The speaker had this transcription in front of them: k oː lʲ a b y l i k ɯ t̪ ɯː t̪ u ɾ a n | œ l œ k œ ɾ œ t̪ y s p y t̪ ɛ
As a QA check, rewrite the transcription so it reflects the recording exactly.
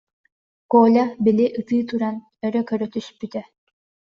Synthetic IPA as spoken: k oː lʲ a b i l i ʔ ɯ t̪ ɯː t̪ u ɾ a n | œ ɾ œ k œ ɾ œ t̪ y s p y t̪ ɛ